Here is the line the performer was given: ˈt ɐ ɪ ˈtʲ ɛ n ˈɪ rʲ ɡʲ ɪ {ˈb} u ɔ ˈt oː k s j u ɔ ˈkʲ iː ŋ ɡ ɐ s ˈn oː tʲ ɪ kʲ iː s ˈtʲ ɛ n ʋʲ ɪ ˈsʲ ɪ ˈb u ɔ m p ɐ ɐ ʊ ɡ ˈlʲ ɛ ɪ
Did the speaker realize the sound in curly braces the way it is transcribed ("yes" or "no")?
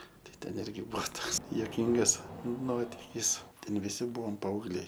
yes